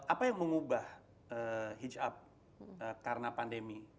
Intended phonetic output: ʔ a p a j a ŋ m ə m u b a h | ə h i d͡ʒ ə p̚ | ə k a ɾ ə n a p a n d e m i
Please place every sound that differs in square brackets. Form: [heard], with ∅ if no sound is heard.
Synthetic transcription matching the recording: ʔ a p a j a ŋ m ə [ŋ] u b a h | ə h i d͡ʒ [a] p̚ | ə k a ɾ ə n a p a n d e m i